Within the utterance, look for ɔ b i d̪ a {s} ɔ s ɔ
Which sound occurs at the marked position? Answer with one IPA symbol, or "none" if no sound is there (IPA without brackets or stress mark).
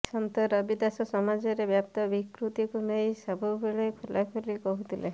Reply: s